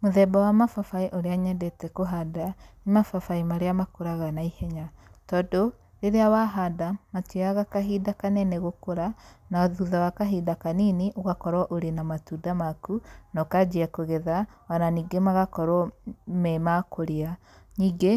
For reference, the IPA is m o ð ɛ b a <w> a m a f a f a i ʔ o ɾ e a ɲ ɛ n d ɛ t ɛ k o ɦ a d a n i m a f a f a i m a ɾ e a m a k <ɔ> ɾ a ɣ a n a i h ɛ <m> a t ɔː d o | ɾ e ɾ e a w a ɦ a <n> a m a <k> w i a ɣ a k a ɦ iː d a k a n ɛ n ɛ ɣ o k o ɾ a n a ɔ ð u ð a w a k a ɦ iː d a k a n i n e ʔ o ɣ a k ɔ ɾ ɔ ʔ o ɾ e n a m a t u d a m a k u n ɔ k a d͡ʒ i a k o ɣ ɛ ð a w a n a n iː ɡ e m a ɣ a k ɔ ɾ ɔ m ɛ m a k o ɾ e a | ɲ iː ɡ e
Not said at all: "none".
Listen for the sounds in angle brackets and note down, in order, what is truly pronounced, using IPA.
w, o, ɲ, d, t

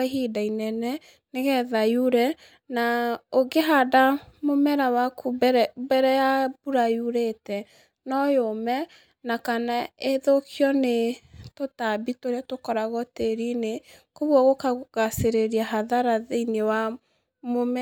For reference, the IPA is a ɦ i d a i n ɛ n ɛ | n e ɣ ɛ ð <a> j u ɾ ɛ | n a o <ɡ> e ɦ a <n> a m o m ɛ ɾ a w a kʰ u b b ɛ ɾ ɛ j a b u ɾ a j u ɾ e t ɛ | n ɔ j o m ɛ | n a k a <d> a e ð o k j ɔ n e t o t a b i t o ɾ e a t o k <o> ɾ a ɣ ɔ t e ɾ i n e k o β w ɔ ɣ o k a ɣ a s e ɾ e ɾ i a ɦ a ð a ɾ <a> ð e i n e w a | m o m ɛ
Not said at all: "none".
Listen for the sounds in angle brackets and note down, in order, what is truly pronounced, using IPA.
a, ɡ, d, n, ɔ, a

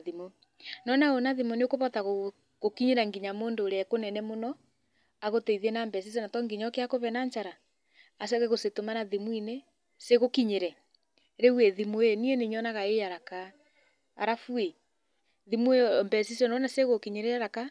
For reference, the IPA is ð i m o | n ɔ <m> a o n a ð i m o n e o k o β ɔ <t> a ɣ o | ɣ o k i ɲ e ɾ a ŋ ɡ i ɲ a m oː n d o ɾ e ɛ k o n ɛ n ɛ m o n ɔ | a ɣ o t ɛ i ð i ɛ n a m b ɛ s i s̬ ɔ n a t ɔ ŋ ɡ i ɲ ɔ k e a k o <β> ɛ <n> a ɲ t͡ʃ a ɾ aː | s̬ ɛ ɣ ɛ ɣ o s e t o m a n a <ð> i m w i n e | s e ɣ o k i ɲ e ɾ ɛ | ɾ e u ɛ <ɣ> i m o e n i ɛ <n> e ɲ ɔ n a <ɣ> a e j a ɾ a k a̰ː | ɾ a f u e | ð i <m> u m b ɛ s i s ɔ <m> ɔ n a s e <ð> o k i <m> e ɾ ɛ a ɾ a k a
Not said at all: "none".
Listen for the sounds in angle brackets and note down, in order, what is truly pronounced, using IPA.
n, t, β, n, ð, ð, n, ɣ, m, n, ɣ, ɲ

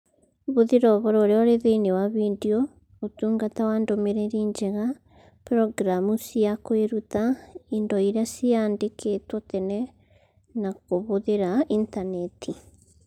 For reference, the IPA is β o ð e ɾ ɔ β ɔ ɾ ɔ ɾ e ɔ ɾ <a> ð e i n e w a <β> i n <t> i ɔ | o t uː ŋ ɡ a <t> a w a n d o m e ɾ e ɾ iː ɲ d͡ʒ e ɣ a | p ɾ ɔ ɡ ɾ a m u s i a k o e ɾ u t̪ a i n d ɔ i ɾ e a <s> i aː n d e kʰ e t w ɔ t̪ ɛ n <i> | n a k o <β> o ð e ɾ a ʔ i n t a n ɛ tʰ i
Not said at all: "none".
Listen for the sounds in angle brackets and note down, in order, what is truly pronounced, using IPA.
e, β, d, t, s, ɛ, β

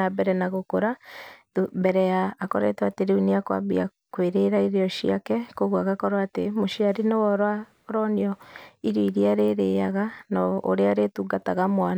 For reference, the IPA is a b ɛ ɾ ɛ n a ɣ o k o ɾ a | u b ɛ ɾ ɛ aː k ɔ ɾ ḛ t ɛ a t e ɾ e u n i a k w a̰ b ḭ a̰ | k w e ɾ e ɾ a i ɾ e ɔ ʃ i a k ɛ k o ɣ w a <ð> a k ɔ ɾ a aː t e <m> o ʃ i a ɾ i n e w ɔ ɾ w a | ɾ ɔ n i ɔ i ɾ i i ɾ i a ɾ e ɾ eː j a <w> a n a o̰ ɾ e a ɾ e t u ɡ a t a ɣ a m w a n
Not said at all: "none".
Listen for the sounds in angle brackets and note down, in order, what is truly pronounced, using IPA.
ɣ, m, ɣ

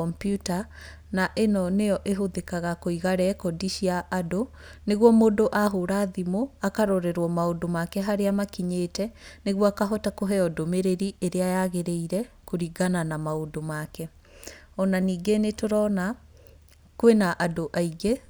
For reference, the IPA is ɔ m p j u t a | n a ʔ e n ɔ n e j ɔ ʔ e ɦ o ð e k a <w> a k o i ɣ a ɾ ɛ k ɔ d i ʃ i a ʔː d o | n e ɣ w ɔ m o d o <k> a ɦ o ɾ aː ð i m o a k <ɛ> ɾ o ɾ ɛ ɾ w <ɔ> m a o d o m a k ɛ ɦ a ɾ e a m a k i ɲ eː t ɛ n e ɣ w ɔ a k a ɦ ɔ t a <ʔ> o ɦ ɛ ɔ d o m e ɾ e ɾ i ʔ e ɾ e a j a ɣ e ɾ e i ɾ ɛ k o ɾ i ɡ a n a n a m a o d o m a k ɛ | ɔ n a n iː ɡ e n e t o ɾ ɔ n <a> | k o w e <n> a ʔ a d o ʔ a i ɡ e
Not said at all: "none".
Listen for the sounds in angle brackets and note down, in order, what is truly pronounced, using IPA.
ɣ, ʔ, a, ɔ, k, a, n

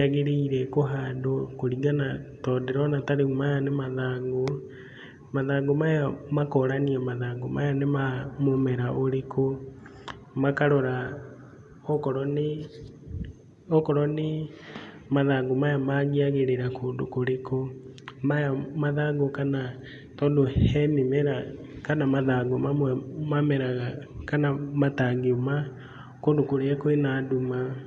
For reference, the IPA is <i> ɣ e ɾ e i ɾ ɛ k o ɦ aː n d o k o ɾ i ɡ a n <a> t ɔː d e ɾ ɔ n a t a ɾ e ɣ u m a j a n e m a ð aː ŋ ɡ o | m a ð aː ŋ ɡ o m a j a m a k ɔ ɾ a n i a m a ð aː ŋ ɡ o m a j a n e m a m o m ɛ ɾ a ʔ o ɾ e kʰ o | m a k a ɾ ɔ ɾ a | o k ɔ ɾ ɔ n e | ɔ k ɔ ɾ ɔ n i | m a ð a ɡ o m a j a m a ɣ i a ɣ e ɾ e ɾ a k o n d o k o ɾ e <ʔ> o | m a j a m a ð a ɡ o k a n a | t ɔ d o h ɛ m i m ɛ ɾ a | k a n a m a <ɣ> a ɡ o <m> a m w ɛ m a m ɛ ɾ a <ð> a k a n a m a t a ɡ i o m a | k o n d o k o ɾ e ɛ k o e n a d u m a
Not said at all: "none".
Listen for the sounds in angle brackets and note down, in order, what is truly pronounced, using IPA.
a, a, k, ð, m, ɣ

